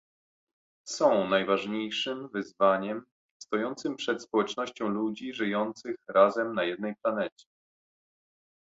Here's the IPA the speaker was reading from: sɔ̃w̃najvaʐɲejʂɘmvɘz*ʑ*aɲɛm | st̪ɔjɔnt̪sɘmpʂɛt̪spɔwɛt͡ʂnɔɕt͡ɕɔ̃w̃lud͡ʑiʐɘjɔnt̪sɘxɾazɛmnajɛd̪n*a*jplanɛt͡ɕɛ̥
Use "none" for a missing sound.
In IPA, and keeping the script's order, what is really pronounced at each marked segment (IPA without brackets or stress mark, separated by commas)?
v, ɛ